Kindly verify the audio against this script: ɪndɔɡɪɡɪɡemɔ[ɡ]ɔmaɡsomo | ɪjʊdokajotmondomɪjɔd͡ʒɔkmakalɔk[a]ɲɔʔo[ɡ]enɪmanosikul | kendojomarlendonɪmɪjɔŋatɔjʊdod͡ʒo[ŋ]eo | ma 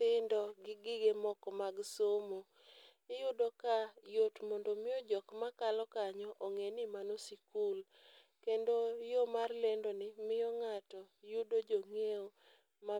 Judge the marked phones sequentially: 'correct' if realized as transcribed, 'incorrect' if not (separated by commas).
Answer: incorrect, correct, incorrect, correct